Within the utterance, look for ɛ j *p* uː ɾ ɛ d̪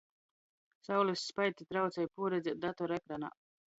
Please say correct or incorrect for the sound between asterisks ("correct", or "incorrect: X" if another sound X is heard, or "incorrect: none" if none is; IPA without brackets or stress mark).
correct